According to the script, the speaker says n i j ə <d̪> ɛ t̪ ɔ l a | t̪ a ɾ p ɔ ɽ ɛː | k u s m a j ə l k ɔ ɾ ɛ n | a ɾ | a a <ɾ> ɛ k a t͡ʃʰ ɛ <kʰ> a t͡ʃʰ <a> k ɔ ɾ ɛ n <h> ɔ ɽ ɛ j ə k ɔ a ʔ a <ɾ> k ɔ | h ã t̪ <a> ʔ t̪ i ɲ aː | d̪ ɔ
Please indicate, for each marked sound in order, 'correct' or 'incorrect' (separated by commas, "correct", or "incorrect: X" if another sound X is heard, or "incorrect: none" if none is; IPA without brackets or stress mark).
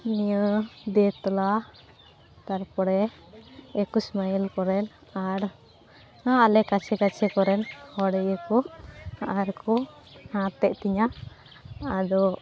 correct, incorrect: l, incorrect: k, incorrect: ɛ, correct, correct, incorrect: ɛ